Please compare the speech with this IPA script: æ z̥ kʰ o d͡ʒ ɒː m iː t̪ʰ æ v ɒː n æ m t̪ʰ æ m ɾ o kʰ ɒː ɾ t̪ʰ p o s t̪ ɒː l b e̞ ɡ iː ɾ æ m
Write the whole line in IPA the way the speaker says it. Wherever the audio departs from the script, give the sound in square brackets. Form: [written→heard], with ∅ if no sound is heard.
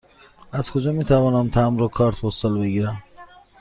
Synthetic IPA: æ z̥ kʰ o d͡ʒ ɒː m iː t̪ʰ æ v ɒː n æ m t̪ʰ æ m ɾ o kʰ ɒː ɾ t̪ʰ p o s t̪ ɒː l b e̞ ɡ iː ɾ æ m